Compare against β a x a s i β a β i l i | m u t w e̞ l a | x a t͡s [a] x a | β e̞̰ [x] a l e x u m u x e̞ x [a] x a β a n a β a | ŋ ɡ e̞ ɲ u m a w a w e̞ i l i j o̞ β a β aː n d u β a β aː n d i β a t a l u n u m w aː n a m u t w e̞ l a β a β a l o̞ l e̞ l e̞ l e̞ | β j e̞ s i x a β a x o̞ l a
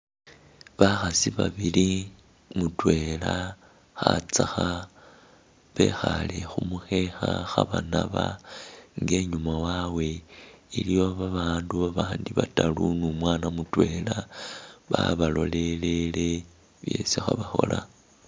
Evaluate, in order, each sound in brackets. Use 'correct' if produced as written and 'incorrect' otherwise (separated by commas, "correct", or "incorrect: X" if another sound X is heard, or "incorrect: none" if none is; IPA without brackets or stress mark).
correct, correct, correct